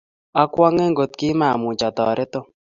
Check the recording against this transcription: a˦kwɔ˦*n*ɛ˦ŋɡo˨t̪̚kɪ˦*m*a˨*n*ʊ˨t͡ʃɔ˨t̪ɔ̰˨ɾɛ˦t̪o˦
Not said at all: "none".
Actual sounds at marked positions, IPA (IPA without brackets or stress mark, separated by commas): ŋ, m, m